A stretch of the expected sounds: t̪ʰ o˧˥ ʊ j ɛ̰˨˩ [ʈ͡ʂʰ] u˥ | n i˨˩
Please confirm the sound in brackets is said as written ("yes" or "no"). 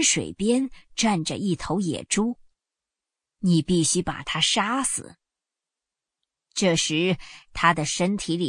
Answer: no